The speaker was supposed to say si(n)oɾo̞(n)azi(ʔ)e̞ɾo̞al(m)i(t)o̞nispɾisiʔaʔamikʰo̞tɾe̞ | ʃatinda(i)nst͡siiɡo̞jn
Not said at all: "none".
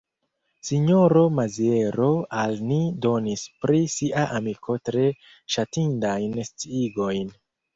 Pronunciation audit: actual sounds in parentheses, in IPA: ɲ, m, none, n, d, j

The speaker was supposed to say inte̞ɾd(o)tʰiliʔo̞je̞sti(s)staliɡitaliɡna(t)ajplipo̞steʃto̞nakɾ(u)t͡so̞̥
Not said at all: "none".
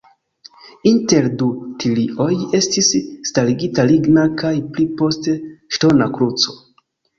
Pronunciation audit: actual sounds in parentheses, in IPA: u, s, k, u

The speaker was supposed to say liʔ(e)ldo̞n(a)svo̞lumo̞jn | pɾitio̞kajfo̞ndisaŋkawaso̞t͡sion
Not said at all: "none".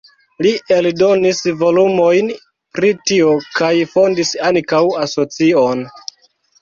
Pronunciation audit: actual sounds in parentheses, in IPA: e, i

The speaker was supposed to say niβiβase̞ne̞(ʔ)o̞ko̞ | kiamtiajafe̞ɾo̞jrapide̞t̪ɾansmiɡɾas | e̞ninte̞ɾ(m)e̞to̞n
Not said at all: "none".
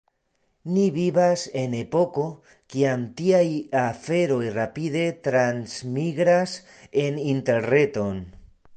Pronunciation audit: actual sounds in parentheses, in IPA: p, n

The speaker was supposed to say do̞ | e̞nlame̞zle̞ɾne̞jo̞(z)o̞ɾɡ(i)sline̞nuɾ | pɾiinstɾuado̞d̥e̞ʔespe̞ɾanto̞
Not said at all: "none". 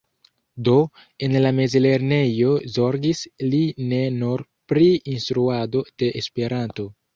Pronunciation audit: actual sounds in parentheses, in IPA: z, i

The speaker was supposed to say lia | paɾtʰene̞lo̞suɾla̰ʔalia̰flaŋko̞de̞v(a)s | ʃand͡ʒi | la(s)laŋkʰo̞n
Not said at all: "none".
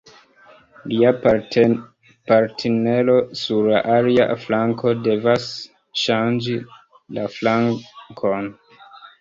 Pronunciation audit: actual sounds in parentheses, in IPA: a, f

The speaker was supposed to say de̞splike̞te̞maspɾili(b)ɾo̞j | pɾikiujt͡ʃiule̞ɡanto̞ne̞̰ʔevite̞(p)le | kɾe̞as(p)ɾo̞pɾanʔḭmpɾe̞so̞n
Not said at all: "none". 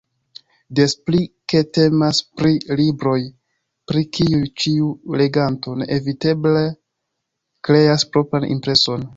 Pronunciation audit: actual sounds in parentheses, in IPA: b, b, p

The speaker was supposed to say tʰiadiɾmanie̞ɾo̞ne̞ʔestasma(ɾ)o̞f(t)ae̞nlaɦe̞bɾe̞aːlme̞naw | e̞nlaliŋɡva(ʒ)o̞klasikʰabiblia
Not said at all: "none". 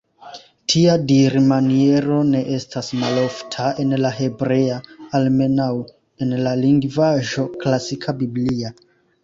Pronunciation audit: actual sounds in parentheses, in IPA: l, tʰ, ʒ

